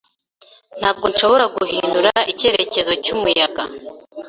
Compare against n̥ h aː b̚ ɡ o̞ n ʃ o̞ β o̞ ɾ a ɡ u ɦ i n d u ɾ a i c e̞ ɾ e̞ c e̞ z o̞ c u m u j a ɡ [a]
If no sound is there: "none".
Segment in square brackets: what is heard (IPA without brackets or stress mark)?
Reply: a